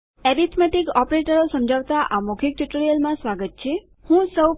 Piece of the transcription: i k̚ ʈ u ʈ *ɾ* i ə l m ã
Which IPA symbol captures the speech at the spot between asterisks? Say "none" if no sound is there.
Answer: ɾ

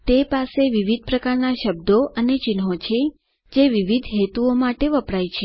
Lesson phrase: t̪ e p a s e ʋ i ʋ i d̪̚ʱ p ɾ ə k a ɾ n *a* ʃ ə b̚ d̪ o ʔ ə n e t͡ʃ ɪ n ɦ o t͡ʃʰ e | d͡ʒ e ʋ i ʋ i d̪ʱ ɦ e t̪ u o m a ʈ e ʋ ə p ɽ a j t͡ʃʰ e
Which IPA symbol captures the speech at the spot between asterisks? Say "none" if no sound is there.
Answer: a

